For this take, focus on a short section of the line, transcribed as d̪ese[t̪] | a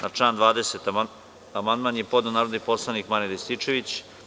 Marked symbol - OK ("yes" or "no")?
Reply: yes